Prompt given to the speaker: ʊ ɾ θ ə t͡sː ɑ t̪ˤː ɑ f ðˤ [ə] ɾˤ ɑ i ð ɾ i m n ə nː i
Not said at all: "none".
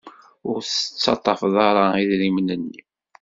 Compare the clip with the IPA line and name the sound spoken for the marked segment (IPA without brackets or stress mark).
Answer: ɑ